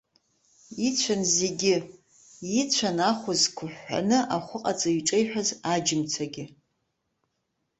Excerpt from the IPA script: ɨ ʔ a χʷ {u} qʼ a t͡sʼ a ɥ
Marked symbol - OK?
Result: no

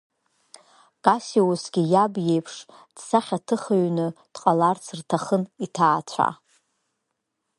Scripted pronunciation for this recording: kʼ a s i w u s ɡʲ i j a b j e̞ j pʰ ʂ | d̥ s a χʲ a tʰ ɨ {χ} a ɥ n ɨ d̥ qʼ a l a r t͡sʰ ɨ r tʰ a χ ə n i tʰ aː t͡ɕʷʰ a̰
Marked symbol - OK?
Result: yes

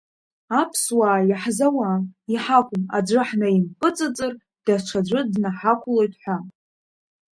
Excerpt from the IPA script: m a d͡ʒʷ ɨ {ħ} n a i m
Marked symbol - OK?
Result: yes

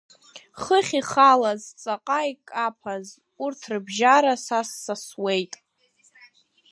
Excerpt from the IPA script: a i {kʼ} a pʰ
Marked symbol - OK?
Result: yes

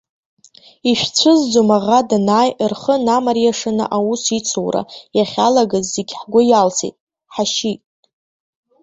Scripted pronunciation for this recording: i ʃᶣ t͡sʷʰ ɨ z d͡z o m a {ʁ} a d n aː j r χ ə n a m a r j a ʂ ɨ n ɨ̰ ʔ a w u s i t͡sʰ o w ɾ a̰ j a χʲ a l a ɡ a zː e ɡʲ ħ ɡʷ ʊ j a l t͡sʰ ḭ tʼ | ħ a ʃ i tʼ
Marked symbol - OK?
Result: yes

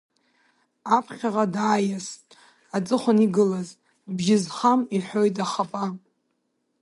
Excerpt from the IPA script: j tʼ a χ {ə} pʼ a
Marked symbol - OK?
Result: no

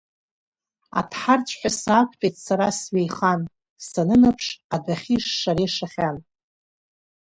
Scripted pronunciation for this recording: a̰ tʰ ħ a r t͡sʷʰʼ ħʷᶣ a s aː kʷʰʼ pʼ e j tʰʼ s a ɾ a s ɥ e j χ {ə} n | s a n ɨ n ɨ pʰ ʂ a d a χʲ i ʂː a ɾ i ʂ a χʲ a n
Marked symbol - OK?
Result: no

